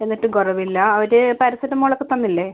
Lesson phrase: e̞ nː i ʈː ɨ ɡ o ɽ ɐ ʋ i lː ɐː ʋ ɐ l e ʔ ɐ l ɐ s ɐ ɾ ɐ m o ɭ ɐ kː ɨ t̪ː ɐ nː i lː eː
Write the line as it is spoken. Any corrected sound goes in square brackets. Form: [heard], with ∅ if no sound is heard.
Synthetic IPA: e̞ nː i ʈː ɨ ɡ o [r] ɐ ʋ i lː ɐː ʋ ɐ [ɾ] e [p] ɐ [ɾ] ɐ s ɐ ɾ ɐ m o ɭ ɐ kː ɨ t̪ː ɐ nː i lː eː